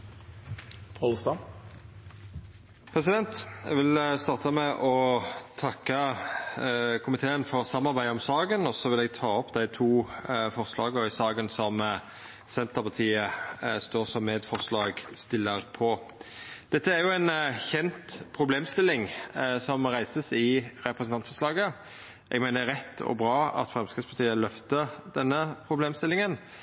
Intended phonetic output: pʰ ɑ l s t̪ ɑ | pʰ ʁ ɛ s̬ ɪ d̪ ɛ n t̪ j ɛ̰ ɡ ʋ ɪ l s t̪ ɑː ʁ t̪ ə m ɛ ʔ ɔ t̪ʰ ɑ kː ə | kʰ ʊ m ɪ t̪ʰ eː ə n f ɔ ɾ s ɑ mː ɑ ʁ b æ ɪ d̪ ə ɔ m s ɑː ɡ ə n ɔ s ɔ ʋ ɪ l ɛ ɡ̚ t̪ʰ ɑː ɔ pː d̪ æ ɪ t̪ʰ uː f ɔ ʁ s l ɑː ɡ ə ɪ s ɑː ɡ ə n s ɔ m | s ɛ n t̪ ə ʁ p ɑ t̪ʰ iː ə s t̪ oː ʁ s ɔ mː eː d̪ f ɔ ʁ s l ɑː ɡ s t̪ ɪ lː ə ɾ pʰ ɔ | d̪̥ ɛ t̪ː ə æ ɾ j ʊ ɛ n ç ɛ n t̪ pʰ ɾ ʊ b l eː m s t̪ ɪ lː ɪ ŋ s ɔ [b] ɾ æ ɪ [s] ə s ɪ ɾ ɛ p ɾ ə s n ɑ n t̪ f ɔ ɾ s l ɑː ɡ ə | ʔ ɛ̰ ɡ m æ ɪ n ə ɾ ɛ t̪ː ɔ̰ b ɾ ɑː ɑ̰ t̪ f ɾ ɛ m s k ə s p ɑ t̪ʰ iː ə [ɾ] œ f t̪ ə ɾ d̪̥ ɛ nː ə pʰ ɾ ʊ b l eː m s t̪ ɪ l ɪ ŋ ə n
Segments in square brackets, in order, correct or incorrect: incorrect: m, correct, incorrect: l

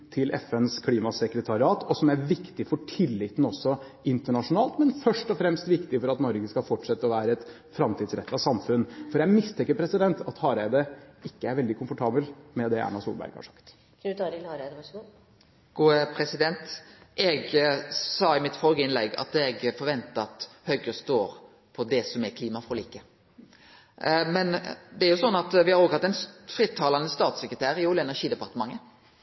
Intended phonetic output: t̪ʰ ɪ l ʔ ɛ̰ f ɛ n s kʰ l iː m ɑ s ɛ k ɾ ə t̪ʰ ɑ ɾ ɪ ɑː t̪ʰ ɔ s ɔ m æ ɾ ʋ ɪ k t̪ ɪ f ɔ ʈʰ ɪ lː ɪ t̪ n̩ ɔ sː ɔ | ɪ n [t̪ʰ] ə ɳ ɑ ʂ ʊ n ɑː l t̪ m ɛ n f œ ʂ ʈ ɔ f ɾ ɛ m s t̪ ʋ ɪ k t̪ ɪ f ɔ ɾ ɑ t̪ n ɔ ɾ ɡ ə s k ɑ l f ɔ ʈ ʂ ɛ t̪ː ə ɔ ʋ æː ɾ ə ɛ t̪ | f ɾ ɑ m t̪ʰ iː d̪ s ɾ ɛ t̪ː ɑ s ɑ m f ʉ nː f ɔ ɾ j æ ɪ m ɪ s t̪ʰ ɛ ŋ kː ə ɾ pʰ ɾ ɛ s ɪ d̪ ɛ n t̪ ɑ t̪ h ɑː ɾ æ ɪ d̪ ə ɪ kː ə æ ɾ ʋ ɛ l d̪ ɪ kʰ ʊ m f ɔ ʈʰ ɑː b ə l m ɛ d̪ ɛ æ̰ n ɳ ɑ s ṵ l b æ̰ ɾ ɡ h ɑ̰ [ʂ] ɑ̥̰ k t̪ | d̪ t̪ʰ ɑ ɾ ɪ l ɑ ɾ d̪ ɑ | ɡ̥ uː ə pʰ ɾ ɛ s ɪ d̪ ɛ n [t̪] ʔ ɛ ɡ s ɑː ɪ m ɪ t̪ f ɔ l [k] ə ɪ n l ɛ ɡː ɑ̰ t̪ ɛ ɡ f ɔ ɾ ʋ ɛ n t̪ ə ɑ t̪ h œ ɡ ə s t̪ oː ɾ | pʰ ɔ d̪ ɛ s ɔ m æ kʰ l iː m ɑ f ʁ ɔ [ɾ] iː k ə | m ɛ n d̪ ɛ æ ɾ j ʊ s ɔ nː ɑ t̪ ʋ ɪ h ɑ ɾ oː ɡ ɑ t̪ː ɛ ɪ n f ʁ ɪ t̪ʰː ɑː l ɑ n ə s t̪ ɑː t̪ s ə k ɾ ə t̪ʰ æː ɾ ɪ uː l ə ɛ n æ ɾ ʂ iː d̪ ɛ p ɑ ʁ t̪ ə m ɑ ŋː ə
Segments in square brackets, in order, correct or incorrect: incorrect: t̪, correct, correct, incorrect: ɡ, incorrect: l

